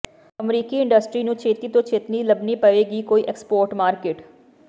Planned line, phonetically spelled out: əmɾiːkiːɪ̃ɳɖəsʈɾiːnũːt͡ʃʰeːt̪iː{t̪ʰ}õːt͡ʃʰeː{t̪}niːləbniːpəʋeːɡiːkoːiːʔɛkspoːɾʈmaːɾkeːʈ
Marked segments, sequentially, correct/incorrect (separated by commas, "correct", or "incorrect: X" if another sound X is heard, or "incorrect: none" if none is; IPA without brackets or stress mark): incorrect: t̪, correct